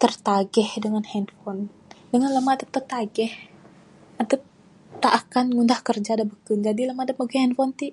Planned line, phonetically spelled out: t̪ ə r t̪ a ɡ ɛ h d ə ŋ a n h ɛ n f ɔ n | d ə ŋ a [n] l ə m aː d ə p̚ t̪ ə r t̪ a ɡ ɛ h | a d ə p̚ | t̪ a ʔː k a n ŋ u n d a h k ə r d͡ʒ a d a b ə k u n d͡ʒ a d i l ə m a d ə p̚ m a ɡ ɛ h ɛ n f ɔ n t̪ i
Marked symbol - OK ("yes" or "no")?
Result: yes